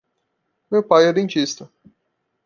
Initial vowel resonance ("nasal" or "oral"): oral